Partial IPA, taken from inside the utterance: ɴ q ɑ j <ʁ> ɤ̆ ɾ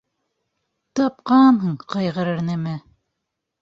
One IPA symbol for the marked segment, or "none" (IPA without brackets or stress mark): ʁ